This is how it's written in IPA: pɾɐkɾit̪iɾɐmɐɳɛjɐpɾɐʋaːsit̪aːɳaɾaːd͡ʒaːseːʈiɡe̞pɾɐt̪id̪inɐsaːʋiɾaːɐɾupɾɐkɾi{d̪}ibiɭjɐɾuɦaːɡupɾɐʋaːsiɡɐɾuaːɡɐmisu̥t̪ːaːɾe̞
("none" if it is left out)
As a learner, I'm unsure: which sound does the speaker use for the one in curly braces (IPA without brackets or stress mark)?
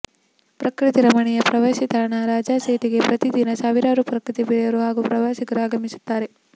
t̪